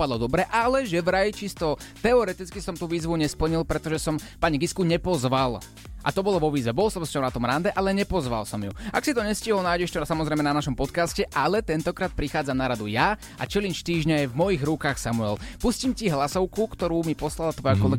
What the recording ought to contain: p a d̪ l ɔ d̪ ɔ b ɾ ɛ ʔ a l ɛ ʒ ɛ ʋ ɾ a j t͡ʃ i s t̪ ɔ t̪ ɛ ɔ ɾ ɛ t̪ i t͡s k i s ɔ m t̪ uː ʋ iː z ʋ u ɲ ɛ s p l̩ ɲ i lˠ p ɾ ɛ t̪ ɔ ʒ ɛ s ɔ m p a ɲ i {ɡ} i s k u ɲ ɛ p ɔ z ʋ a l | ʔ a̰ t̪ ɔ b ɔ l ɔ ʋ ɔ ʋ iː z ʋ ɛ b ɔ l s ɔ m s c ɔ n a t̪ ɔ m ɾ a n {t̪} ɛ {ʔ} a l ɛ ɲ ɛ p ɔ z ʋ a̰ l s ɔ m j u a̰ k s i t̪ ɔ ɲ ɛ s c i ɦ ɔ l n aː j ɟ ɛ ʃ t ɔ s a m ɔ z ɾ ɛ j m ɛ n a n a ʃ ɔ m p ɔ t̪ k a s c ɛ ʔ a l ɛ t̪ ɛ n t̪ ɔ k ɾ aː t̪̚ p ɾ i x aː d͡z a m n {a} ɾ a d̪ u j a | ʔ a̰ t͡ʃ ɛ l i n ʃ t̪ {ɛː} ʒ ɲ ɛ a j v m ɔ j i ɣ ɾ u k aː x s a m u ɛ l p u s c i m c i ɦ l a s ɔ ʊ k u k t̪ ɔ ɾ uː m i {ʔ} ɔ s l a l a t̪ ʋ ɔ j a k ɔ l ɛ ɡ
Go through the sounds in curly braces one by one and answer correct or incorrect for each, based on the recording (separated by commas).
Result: correct, incorrect, correct, correct, incorrect, incorrect